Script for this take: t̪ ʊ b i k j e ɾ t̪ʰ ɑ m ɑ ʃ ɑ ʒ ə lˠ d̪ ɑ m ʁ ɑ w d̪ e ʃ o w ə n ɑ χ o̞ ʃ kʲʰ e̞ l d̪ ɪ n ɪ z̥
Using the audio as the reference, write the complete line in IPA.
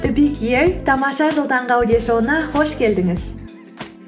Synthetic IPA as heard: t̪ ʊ b i k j e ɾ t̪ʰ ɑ m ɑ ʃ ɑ ʒ ə lˠ d̪ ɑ ɴ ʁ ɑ w d̪ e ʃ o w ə n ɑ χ o̞ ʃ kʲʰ e̞ l d̪ ɪ ŋ ɪ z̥